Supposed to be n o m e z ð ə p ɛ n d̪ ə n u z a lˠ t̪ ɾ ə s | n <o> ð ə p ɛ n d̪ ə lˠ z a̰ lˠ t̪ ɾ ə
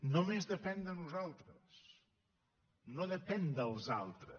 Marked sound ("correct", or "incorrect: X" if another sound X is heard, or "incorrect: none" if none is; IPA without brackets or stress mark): correct